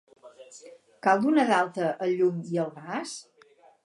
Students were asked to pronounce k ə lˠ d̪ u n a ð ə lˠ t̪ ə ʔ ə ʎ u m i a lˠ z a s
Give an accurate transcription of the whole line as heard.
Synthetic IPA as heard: k a lˠ d̪ u n a ð a lˠ t̪ ə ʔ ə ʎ u m i ə lˠ ɣ a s